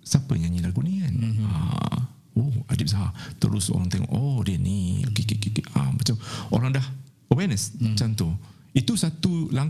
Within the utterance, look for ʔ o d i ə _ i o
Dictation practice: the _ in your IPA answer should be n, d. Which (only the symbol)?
n